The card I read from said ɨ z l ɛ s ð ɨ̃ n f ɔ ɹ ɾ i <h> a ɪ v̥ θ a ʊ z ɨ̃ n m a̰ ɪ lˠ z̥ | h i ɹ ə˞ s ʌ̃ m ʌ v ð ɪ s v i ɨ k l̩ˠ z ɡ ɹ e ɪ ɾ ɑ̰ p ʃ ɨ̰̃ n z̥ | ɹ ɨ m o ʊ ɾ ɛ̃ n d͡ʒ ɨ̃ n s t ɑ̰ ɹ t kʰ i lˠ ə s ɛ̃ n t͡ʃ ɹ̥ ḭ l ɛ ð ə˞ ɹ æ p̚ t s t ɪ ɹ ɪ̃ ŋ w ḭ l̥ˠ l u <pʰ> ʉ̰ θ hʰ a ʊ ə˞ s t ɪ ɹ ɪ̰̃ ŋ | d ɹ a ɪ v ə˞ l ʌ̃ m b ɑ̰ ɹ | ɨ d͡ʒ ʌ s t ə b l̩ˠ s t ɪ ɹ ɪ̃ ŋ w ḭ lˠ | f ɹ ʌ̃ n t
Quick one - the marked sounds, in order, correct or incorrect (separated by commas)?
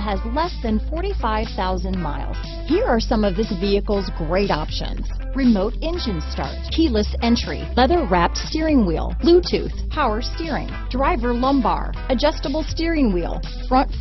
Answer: incorrect, incorrect